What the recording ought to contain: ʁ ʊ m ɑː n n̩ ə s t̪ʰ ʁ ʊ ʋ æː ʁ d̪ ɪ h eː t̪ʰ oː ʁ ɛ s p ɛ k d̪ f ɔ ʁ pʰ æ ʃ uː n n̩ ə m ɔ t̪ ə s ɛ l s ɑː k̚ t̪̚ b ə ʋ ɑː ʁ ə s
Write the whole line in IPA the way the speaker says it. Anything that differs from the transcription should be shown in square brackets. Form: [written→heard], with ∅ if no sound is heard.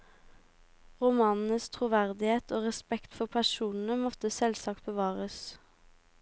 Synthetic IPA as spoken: ʁ ʊ m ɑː n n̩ ə s t̪ʰ ʁ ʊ ʋ [æː→æ] ʁ d̪ ɪ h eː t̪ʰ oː ʁ ɛ s p ɛ k [d̪→t̪] f ɔ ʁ pʰ æ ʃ uː n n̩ ə m ɔ t̪ ə s ɛ l s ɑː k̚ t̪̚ b ə ʋ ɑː ʁ ə s